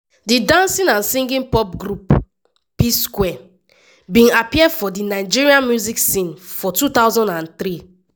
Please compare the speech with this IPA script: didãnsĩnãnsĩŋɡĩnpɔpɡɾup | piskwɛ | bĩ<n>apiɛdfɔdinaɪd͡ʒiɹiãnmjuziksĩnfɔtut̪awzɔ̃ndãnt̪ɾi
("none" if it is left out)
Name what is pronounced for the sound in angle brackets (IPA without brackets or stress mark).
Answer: n